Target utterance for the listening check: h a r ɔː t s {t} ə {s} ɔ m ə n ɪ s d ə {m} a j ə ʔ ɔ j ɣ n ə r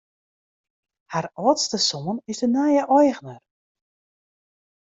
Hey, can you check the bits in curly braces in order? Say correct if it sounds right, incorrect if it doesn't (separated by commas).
correct, correct, incorrect